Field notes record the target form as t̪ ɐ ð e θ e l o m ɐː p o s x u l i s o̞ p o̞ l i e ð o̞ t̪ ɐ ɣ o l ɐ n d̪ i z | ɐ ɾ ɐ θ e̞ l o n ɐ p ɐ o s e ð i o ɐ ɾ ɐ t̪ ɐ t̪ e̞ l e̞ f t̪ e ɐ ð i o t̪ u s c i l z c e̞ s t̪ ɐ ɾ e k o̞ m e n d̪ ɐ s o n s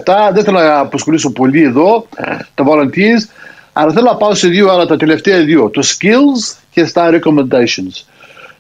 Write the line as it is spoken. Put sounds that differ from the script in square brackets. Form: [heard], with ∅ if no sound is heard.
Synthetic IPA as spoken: t̪ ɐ ð e θ e l o [n] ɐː p o s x [o] l i s o̞ p o̞ l i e ð o̞ t̪ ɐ [v] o l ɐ n [t̪] i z | ɐ ɾ ɐ θ e̞ l o n ɐ p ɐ o s e ð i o ɐ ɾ ɐ t̪ ɐ t̪ e̞ l e̞ f t̪ e ɐ ð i o t̪ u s c i l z c e̞ s t̪ ɐ ɾ e k o̞ m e n d̪ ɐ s o n s